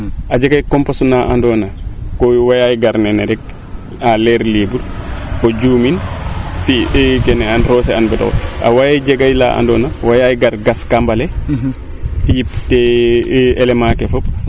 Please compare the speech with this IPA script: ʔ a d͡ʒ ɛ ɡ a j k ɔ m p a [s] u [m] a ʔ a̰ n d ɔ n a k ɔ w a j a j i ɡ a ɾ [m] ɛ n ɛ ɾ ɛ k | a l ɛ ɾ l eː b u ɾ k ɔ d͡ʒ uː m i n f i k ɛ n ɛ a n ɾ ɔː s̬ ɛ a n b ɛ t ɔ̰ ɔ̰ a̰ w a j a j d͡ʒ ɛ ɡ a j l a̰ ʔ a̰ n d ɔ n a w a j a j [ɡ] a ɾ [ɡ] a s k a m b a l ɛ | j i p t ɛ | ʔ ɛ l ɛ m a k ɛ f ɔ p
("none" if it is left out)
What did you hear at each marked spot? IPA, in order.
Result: s, n, n, ɡ, ɡ

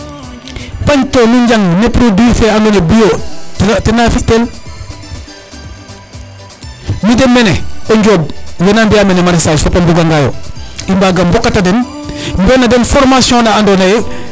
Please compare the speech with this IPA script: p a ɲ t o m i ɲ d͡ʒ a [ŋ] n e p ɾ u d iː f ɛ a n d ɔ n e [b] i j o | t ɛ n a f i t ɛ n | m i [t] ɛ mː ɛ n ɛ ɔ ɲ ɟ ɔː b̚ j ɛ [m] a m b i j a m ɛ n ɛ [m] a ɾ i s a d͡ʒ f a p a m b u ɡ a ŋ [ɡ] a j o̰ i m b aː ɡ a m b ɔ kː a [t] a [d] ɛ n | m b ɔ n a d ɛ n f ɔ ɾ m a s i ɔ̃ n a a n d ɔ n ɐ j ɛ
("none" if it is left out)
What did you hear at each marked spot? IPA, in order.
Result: ŋ, b, d, n, m, ɡ, t, d

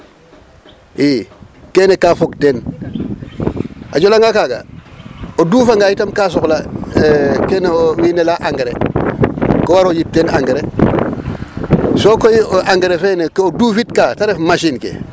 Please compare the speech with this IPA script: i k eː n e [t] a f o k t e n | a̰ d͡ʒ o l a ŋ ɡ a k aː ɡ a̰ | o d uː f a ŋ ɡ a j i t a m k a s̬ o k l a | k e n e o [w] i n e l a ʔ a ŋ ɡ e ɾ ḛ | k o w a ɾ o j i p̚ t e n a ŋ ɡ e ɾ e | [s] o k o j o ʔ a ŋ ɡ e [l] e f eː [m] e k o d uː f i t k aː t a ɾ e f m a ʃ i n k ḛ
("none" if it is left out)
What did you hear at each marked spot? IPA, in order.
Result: k, w, s, ɾ, n

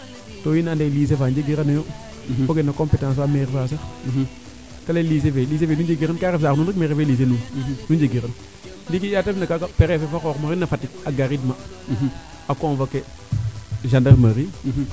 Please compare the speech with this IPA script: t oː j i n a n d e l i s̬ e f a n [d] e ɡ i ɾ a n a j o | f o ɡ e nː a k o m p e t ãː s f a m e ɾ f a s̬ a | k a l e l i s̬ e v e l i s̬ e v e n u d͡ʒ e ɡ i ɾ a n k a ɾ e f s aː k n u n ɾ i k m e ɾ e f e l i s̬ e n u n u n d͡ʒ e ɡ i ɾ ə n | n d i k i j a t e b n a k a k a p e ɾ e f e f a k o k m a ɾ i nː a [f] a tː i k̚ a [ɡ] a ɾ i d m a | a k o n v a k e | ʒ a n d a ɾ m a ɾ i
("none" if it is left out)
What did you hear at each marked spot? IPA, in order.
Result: d͡ʒ, f, ɡ

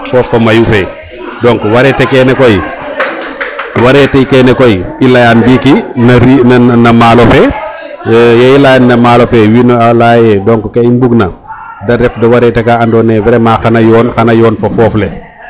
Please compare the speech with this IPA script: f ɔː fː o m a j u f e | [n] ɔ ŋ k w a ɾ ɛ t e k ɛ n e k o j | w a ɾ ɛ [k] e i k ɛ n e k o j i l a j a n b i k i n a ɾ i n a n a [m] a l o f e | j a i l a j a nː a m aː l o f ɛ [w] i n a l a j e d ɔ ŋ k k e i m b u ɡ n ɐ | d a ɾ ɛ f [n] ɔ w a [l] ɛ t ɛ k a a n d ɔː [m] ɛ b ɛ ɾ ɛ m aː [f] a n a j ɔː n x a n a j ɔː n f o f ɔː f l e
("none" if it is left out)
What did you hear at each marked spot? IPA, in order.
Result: d, t, m, w, d, ɾ, n, x

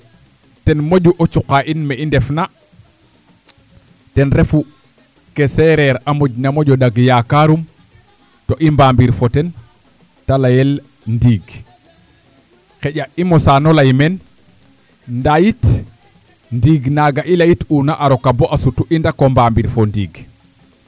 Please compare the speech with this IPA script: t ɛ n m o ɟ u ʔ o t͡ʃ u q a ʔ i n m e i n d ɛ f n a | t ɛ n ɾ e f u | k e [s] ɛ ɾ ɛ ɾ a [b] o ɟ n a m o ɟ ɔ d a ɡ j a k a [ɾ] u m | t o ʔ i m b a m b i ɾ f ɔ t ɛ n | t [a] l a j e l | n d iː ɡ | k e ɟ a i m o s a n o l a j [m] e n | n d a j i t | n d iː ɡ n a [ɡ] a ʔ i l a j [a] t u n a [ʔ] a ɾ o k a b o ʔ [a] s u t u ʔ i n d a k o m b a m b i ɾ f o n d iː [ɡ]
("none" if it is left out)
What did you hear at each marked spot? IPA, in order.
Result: s, m, ɾ, a, m, ɡ, i, ʔ, a, ɡ

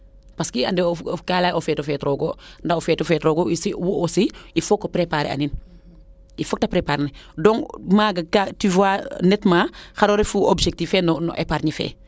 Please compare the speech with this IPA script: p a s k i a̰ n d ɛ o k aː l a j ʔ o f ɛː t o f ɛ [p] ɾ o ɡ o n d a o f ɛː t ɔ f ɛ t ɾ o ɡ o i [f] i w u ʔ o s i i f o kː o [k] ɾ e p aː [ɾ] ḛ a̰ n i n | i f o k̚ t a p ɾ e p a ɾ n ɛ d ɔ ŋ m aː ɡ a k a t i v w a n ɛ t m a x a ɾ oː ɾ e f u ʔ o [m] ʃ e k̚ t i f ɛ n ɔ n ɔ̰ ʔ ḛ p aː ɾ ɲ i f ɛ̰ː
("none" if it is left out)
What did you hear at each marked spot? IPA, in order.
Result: t, s, p, ɾ, b

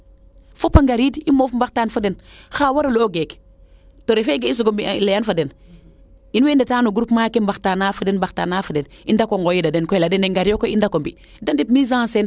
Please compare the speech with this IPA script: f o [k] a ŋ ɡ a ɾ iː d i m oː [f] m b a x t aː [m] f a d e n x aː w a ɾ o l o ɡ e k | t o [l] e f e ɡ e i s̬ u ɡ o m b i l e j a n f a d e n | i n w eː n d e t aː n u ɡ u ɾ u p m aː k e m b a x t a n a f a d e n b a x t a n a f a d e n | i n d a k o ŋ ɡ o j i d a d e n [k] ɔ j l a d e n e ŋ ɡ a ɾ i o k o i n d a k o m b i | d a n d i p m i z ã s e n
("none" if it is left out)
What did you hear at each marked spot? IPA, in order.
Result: p, f, n, ɾ, k

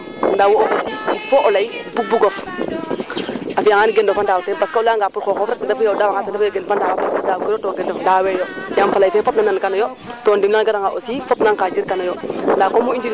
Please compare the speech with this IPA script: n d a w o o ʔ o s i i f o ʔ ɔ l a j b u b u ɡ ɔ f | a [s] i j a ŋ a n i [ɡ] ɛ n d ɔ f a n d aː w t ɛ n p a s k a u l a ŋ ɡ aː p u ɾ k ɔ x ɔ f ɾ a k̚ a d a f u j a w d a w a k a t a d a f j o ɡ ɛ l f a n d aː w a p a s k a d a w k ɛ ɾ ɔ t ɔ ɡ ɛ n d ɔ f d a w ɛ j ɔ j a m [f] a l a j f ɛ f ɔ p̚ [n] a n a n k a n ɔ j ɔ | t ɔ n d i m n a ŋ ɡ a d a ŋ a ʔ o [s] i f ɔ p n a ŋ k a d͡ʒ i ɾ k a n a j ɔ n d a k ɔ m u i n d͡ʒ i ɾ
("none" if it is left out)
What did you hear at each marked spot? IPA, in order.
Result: f, ɡ, f, n, s

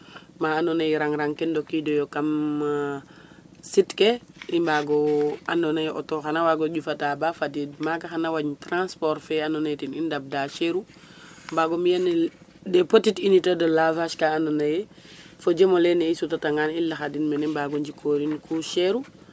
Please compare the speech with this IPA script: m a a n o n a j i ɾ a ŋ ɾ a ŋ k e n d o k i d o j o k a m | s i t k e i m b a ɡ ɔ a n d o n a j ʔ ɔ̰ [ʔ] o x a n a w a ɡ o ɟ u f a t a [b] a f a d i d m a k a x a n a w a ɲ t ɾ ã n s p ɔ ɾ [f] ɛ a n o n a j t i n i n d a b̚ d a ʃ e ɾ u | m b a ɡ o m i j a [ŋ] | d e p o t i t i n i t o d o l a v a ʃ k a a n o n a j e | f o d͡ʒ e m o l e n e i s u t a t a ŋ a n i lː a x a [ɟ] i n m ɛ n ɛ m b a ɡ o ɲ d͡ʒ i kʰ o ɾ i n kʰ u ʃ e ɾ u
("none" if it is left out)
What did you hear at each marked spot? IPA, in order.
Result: t, b, f, n, d

